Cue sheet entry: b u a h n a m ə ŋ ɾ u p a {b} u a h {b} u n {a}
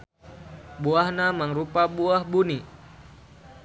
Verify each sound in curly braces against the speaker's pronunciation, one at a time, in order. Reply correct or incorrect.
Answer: correct, correct, incorrect: i

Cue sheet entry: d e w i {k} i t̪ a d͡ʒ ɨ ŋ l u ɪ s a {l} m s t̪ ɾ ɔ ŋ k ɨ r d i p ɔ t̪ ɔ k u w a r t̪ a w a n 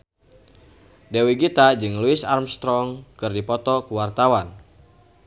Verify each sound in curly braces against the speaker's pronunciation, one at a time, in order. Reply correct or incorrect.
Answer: incorrect: ɡ, incorrect: r

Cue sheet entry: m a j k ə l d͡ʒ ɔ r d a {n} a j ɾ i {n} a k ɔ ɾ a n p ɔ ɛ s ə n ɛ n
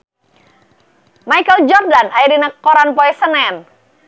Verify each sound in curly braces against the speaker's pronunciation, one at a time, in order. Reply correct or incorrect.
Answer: correct, correct

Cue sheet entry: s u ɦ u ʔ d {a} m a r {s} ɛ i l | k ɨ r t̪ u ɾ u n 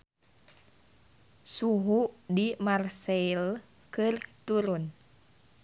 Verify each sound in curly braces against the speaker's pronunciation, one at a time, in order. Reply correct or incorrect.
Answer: incorrect: i, correct

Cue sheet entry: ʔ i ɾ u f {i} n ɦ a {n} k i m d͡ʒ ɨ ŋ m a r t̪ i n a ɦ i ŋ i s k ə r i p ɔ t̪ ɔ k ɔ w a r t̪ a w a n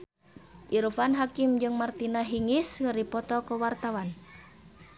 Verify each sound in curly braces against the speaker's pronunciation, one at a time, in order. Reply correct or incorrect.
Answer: incorrect: a, incorrect: none

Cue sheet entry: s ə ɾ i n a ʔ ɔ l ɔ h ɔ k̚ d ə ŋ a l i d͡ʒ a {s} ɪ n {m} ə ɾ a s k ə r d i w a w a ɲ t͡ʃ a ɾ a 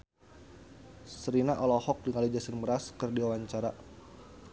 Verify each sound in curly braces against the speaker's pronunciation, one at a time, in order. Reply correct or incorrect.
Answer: correct, correct

